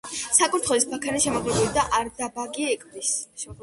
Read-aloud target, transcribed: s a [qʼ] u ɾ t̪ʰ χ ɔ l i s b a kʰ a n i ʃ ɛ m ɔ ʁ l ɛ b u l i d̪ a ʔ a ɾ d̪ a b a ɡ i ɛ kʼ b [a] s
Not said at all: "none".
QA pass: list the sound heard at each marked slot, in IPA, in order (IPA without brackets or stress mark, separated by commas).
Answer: kʼ, i